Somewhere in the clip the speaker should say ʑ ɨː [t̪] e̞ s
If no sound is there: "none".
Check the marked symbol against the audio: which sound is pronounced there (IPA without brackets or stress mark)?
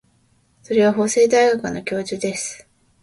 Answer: d̪